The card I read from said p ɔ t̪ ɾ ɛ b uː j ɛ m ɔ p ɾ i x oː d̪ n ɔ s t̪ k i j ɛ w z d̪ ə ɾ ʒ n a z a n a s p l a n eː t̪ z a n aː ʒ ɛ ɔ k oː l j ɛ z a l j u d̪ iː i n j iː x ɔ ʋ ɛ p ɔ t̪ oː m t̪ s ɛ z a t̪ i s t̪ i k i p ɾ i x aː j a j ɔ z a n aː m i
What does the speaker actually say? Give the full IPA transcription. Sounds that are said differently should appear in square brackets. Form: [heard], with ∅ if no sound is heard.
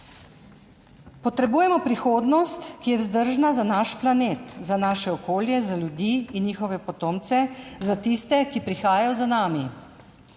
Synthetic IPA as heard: p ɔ t̪ ɾ ɛ b uː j ɛ m ɔ p ɾ i x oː d̪ n ɔ s t̪ k i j ɛ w z d̪ ə ɾ ʒ n a z a n a [ʃ] p l a n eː t̪ z a n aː [ʃ] ɛ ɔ k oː l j ɛ z a l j u d̪ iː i n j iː x ɔ ʋ ɛ p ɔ t̪ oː m t̪ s ɛ z a t̪ i s t̪ [ɛ] k i p ɾ i x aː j a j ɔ z a n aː m i

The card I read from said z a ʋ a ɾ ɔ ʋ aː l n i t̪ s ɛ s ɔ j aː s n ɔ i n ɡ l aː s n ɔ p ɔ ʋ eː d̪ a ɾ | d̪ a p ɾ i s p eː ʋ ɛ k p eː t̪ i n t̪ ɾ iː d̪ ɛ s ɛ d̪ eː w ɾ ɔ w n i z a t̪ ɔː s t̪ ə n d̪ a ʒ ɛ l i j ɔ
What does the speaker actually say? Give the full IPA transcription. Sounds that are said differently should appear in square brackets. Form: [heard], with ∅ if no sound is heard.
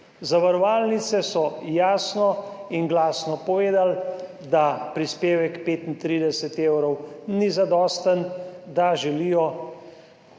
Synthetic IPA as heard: z a ʋ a ɾ ɔ ʋ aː l n i t̪ s ɛ s ɔ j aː s n ɔ i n ɡ l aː s n ɔ p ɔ ʋ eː d̪ a [l] | d̪ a p ɾ i s p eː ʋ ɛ k p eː t̪ i n t̪ ɾ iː d̪ ɛ s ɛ [t̪] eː w ɾ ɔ w n i z a [d̪] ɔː s t̪ ə n d̪ a ʒ ɛ l i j ɔ

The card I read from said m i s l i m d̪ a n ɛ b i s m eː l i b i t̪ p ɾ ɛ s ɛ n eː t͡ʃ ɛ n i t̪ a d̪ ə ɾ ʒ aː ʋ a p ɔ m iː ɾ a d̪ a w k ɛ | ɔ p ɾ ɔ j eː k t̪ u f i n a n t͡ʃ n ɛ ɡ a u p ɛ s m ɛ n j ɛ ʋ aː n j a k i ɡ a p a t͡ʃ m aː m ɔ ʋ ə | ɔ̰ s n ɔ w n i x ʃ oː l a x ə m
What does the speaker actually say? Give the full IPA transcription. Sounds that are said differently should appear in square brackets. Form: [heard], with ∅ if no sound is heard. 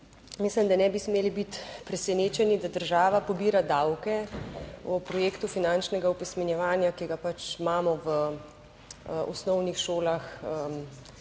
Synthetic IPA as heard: m i s l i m d̪ a n ɛ b i s m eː l i b i t̪ p ɾ ɛ s ɛ n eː t͡ʃ ɛ n i [d̪] a d̪ ə ɾ ʒ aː ʋ a p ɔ [b] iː ɾ a d̪ a w k ɛ | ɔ p ɾ ɔ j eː k t̪ u f i n a n t͡ʃ n ɛ ɡ a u p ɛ s m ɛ n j ɛ ʋ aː n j a k i ɡ a p a t͡ʃ m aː m ɔ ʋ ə | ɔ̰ s n ɔ w n i x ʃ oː l a x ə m

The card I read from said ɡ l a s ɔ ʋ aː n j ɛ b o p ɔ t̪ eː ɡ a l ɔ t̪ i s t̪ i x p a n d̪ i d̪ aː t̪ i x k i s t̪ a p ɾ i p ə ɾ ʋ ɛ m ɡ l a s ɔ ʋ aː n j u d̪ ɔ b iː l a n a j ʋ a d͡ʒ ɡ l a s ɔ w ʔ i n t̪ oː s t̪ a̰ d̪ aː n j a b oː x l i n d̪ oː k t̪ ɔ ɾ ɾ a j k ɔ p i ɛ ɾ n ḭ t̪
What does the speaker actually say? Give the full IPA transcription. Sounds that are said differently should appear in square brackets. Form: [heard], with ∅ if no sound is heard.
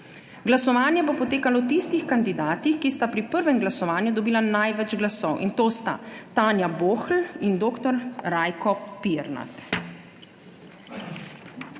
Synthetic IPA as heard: ɡ l a s ɔ ʋ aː n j ɛ b o p ɔ t̪ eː [k] a l ɔ t̪ i s t̪ i x [k] a n d̪ i d̪ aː t̪ i x k i s t̪ a p ɾ i p ə ɾ ʋ ɛ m ɡ l a s ɔ ʋ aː n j u d̪ ɔ b iː l a n a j ʋ [ɛ] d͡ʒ ɡ l a s ɔ w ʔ i n t̪ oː s t̪ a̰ [t̪] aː n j a b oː x l i n d̪ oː k t̪ ɔ ɾ ɾ a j k ɔ p i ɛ ɾ n [a̰] t̪

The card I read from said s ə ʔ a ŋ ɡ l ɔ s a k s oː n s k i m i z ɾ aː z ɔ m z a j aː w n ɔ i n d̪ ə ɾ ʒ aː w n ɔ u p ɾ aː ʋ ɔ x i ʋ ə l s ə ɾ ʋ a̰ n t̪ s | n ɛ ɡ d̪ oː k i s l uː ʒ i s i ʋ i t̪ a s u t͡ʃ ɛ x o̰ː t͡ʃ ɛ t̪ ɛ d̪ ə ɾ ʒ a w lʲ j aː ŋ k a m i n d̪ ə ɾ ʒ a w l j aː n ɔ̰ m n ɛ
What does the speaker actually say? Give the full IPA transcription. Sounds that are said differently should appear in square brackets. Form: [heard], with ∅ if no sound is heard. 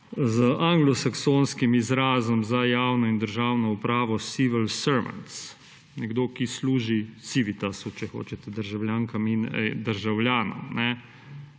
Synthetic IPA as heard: [z] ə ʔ a ŋ ɡ l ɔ s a k s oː n s k i m i z ɾ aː z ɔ m z a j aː w n ɔ i n d̪ ə ɾ ʒ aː w n ɔ u p ɾ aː ʋ ɔ [s] i ʋ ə l s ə ɾ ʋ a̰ n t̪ s | n ɛ ɡ d̪ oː k i s l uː ʒ i s i ʋ i t̪ a s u t͡ʃ ɛ x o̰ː t͡ʃ ɛ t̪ ɛ d̪ ə ɾ ʒ a w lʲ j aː ŋ k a m i n d̪ ə ɾ ʒ a w l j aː n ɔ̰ m n ɛ

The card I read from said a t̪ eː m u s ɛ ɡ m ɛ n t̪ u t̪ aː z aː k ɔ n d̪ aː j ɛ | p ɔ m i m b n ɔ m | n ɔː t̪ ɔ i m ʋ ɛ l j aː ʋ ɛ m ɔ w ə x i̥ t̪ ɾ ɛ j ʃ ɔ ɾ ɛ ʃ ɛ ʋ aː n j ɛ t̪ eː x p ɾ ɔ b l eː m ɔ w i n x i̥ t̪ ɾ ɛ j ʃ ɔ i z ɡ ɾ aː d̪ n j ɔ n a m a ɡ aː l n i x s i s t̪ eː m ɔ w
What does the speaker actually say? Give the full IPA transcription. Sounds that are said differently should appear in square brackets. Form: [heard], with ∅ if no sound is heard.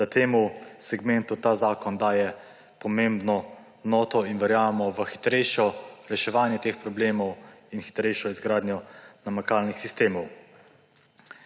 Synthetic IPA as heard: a t̪ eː m u s ɛ ɡ m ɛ n t̪ u t̪ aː z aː k ɔ n d̪ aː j ɛ | p ɔ m [e] m b n ɔ [∅] | n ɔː t̪ ɔ i [n] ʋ ɛ [ɾ] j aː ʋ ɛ m ɔ [ʋ] ə x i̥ t̪ ɾ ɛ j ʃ ɔ ɾ ɛ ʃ ɛ ʋ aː n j ɛ t̪ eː x p ɾ ɔ b l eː m ɔ w i n x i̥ t̪ ɾ ɛ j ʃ ɔ i z ɡ ɾ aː d̪ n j ɔ n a m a [k] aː l n i x s i s t̪ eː m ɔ w

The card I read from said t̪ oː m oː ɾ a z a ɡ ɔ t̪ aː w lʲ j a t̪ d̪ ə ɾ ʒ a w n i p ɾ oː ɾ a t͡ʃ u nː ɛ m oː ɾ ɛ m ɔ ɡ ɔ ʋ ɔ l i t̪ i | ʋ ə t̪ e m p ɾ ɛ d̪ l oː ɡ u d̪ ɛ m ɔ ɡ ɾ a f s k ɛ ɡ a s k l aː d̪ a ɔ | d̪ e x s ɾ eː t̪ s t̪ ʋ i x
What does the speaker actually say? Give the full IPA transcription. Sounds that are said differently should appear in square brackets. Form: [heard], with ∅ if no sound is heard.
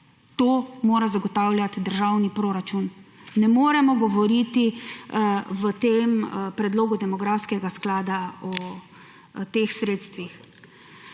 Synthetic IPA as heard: t̪ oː m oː ɾ a z a ɡ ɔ t̪ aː w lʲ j a t̪ d̪ ə ɾ ʒ a w n i p ɾ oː ɾ a t͡ʃ u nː ɛ m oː ɾ ɛ m ɔ ɡ ɔ ʋ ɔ [ɾ] i t̪ i | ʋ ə t̪ e m p ɾ ɛ d̪ l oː ɡ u d̪ ɛ m ɔ ɡ ɾ a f s k ɛ ɡ a s k l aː d̪ a ɔ | [t̪] e x s ɾ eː t̪ s t̪ ʋ i x

